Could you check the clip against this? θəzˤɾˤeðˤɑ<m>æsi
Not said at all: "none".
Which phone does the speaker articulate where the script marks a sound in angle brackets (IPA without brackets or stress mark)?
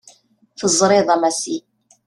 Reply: m